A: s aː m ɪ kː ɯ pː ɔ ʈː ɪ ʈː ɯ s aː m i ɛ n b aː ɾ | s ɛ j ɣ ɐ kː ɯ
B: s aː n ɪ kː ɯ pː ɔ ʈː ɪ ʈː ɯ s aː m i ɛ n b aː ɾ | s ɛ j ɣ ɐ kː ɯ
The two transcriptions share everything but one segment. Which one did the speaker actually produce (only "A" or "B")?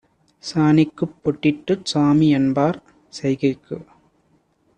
B